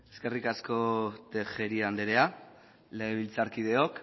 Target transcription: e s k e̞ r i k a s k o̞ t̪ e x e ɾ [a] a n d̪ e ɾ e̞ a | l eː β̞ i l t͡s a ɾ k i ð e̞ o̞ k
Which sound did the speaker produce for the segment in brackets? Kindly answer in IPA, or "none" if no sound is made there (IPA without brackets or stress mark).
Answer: i